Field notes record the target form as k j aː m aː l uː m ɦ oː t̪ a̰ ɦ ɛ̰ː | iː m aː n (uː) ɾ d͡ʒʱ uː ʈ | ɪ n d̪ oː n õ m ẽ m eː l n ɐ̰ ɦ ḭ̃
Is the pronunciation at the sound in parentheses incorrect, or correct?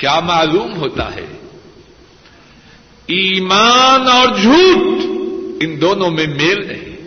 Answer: incorrect